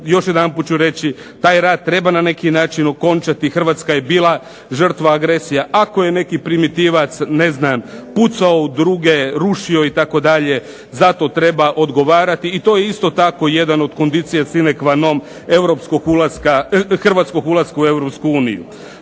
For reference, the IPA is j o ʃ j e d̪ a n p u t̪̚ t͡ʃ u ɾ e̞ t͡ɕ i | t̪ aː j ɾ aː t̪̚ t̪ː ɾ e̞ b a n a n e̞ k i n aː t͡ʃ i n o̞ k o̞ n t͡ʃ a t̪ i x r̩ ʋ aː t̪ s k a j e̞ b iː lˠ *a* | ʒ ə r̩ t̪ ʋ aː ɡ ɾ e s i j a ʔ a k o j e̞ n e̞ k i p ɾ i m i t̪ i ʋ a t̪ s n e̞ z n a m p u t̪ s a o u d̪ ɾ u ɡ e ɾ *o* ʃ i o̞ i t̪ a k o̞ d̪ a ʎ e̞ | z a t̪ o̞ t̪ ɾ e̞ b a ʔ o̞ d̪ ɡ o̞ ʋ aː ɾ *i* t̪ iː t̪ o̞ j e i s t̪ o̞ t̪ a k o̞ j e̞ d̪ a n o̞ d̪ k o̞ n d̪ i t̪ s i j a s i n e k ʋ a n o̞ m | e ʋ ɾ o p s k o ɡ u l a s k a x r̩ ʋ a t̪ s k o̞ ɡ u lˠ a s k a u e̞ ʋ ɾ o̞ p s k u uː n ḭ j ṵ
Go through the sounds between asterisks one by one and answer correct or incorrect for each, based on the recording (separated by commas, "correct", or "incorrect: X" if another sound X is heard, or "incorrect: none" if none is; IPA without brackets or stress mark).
correct, incorrect: u, incorrect: a